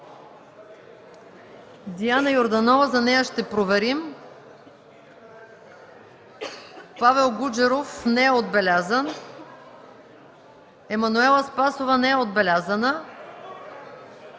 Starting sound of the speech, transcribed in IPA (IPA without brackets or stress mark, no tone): d̪